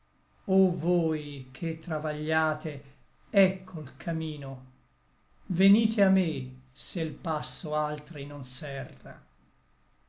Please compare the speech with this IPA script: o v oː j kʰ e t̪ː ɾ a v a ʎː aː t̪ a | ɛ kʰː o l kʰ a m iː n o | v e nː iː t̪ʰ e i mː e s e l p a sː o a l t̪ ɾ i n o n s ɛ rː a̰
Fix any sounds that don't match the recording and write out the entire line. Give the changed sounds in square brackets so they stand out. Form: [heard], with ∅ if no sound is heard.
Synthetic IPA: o v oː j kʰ e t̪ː ɾ a v a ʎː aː t̪ [e] | ɛ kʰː o l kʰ a m iː n o | v e [n] iː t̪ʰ e [a] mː e s e l p a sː o a l t̪ ɾ i n o n s ɛ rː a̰